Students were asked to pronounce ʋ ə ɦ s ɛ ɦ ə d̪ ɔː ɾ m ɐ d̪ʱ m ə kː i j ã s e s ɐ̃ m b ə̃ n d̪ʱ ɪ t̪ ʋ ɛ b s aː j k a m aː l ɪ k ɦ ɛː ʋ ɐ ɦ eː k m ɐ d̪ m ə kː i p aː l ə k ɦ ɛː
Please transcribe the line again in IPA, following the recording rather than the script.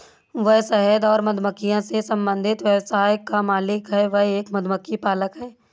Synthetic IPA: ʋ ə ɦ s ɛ ɦ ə d̪ ɔː ɾ m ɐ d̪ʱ m ə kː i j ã s e s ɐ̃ m b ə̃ n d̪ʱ ɪ t̪ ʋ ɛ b s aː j k a m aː l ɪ k ɦ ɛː ʋ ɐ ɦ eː k m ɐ d̪ m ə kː i p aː l ə k ɦ ɛː